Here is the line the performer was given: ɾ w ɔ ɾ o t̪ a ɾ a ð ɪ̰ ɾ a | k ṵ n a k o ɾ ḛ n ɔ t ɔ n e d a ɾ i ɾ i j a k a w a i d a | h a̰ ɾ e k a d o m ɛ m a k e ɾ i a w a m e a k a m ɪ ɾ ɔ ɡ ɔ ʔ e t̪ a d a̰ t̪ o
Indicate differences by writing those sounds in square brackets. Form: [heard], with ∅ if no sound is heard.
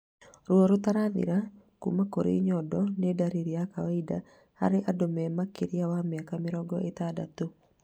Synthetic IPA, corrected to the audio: ɾ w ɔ ɾ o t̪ a ɾ a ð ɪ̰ ɾ a | k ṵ [m] a k o ɾ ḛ [ɲ] ɔ [d] ɔ n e d a ɾ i ɾ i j a k a w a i d a | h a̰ ɾ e [ʔ] a d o m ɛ m a k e ɾ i a w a m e a k a m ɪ ɾ ɔ ɡ ɔ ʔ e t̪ a d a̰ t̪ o